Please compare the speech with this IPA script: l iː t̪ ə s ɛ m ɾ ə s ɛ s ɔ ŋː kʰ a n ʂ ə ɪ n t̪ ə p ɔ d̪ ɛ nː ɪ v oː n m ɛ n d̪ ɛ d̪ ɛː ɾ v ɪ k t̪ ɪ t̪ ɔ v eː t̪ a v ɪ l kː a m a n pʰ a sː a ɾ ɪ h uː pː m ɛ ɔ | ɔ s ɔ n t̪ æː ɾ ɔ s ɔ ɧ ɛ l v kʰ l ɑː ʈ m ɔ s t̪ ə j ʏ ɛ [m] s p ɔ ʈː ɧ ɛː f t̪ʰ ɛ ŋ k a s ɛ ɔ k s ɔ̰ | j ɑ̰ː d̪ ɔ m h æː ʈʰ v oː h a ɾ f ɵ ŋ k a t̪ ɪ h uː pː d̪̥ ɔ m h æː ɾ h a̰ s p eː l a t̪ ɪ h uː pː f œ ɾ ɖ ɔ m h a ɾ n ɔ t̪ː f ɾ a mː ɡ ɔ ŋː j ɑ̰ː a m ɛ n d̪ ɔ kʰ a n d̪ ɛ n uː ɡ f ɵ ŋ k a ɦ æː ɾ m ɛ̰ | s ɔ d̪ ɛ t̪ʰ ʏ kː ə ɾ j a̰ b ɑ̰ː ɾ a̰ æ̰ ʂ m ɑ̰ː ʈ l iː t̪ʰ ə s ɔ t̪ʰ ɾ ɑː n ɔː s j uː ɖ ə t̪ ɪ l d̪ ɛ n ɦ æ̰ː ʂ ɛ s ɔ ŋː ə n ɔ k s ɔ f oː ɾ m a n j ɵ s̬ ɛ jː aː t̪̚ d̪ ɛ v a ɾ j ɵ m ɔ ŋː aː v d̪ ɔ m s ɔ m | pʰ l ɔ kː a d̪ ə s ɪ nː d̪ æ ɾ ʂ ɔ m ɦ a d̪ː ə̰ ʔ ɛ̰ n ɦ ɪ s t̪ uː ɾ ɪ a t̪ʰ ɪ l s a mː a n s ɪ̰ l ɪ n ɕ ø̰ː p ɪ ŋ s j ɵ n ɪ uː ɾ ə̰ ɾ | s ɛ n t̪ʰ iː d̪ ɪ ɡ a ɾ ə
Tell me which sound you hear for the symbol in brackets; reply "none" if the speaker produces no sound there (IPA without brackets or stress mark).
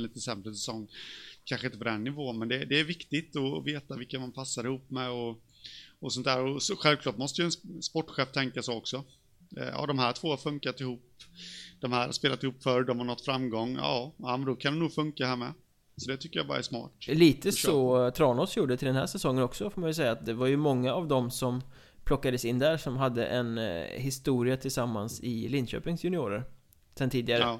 n